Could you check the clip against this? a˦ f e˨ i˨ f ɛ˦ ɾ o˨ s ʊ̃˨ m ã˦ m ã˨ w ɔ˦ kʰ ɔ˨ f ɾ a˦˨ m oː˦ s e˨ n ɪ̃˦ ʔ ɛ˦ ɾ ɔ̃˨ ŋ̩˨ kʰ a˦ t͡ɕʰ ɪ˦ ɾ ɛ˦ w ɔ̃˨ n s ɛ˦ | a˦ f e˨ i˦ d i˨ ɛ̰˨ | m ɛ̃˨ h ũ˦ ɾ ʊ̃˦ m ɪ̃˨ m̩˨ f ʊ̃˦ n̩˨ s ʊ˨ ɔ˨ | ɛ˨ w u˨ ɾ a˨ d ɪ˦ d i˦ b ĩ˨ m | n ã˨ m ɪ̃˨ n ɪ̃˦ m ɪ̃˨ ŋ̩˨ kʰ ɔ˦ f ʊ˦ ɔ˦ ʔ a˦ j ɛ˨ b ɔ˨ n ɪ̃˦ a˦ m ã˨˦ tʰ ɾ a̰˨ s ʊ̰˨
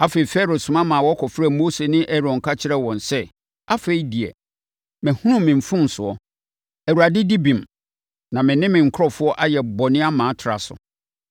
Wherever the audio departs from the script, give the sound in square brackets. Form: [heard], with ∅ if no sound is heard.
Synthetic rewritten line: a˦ f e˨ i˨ f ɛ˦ ɾ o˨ s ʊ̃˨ m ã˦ m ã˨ w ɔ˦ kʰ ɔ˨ f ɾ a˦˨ m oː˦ s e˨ n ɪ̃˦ ʔ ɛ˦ ɾ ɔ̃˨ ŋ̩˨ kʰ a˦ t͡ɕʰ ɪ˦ ɾ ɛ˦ w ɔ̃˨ n s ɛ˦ | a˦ f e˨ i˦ d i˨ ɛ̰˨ | m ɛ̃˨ h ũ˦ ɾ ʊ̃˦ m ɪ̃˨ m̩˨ f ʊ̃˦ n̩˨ s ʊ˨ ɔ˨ | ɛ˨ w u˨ ɾ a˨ d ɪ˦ d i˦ b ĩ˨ m | n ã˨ m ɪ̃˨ n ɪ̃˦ m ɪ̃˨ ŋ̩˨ kʰ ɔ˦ f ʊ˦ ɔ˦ ʔ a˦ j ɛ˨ b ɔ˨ n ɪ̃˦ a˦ m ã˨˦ tʰ ɾ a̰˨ s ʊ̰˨